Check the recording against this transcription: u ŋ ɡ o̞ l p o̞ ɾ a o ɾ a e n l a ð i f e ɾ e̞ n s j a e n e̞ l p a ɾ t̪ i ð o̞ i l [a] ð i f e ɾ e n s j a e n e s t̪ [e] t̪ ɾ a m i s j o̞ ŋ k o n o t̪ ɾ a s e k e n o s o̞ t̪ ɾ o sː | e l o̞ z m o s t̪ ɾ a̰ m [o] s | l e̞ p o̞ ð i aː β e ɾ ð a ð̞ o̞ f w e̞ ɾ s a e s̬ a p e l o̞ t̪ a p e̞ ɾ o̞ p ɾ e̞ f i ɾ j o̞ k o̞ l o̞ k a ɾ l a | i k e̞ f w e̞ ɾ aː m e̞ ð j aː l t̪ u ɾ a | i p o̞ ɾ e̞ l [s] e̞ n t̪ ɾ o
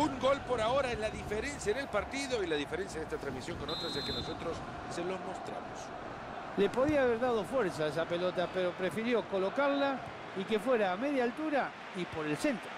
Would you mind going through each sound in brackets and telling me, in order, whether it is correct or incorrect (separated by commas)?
correct, incorrect, correct, correct